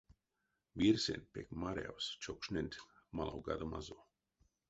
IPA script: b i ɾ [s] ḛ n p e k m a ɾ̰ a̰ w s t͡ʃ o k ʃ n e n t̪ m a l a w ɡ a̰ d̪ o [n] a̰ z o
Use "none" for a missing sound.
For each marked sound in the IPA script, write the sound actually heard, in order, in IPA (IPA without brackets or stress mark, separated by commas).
s, m